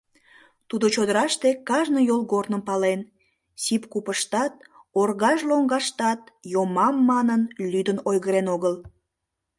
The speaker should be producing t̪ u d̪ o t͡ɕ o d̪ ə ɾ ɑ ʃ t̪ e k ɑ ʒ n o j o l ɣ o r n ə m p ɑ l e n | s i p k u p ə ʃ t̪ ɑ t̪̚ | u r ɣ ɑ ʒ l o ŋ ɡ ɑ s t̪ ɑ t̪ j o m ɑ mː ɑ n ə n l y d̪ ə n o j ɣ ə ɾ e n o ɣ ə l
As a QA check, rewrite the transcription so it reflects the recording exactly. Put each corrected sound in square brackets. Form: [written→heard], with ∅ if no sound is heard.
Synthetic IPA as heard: t̪ u d̪ o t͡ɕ o d̪ ə ɾ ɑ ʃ t̪ e k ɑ ʒ n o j o l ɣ o r n ə m p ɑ l e n | s i p k u p ə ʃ t̪ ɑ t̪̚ | [u→o] r ɣ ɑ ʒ l o ŋ ɡ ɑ [s→ʃ] t̪ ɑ t̪ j o m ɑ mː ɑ n ə n l y d̪ ə n o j ɣ ə ɾ e n o ɣ ə l